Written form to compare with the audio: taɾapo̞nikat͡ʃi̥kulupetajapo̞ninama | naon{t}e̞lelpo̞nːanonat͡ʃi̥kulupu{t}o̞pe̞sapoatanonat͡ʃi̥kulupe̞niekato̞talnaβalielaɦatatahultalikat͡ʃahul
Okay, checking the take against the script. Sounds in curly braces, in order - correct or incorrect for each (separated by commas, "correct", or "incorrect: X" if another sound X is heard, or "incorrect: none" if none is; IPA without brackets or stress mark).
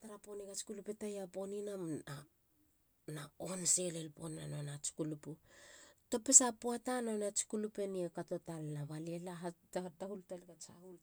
incorrect: s, correct